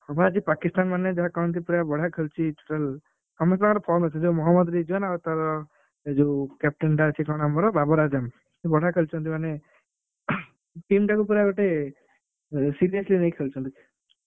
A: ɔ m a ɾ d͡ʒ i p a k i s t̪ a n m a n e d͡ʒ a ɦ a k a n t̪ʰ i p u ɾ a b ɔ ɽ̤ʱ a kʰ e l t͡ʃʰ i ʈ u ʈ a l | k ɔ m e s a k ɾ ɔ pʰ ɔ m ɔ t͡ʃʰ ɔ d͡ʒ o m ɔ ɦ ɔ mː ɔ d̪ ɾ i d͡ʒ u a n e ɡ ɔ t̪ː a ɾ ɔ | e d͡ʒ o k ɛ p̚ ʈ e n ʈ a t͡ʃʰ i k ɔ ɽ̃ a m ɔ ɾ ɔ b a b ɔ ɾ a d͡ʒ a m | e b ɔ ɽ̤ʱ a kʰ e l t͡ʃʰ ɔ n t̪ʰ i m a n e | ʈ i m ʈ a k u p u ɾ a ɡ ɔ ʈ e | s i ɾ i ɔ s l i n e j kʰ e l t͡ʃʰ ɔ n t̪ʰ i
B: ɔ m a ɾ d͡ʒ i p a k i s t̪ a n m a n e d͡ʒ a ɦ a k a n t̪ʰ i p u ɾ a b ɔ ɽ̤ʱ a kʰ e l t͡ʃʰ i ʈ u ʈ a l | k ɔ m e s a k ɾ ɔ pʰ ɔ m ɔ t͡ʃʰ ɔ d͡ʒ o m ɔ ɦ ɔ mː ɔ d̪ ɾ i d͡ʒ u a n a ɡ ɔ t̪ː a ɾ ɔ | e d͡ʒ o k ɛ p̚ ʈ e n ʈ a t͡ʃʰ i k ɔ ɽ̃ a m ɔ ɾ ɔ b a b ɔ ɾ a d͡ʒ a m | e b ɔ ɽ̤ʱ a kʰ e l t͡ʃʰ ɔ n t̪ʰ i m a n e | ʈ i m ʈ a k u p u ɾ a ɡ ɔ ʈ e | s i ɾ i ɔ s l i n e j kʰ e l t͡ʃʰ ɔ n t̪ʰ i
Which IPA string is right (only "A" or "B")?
B